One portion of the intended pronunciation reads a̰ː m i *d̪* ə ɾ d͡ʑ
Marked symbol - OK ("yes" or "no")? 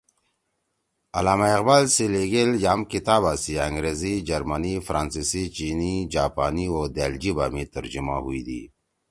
no